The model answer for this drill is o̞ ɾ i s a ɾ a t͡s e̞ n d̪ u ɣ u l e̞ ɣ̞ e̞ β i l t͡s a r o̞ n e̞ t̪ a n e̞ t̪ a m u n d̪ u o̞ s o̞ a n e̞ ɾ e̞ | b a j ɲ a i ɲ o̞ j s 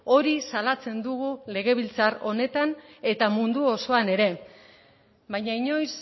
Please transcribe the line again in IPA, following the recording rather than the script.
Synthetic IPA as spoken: o̞ ɾ i s a l a t͡s e̞ n d̪ u ɣ u l e̞ ɣ̞ e̞ β i l t͡s a r o̞ n e̞ t̪ a n e̞ t̪ a m u n d̪ u o̞ s o̞ a n e̞ ɾ e̞ | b a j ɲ a i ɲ o̞ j s